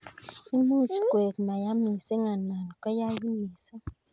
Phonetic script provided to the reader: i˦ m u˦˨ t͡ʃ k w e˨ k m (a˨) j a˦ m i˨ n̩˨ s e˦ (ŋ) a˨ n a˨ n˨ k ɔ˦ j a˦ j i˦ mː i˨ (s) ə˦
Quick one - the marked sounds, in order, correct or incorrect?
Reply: correct, correct, correct

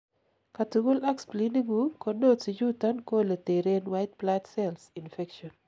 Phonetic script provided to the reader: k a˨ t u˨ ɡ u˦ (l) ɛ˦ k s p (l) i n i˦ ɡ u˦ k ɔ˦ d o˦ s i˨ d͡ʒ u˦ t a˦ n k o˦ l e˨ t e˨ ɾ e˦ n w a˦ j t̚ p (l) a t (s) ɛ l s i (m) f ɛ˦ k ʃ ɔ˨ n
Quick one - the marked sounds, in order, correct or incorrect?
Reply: correct, correct, correct, correct, incorrect

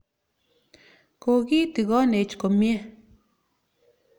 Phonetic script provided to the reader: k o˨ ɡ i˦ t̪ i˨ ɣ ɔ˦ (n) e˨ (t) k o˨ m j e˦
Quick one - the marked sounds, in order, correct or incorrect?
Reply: correct, incorrect

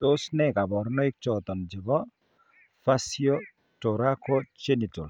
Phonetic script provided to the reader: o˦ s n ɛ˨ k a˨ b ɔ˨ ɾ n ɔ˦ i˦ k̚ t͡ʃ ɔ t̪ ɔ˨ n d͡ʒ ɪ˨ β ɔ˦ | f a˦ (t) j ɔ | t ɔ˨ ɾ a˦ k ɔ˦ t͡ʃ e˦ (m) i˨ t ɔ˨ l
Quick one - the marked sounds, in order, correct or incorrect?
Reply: incorrect, incorrect

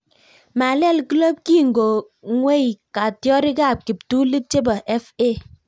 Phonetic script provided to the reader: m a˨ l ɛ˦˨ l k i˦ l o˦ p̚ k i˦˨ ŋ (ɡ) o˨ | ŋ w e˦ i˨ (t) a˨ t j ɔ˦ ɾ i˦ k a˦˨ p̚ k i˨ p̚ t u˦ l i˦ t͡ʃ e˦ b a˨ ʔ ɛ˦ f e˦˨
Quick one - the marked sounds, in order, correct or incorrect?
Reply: correct, incorrect

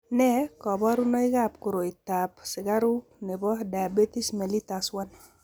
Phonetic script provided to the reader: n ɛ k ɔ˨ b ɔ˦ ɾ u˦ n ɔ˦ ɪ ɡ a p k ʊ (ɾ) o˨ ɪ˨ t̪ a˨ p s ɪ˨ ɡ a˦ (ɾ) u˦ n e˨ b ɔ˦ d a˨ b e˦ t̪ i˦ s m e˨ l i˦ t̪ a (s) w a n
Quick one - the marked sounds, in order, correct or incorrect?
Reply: correct, correct, correct

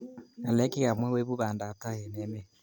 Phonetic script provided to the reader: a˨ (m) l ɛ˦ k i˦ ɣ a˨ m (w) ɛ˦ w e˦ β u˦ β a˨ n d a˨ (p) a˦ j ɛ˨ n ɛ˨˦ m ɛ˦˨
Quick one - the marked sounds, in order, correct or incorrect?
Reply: incorrect, correct, incorrect

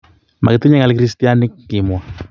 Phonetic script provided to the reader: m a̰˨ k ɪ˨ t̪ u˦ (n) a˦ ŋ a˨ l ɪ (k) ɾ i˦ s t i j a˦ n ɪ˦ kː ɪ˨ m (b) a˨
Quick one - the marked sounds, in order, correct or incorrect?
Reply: incorrect, correct, incorrect

